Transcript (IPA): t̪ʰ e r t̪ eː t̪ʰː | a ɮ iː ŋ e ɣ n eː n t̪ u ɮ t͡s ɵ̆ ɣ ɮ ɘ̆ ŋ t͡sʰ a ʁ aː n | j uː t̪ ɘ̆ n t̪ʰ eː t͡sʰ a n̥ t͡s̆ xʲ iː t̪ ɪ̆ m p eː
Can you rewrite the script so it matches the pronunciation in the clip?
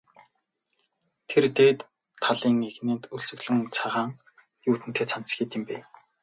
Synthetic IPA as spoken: t̪ʰ e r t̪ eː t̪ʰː | a ɮ iː ŋ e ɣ n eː n t̪ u ɮ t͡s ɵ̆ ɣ ɮ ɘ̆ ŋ t͡sʰ a ʁ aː ŋ | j uː t̪ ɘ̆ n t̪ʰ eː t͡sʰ a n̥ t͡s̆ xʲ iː t̪ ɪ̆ m p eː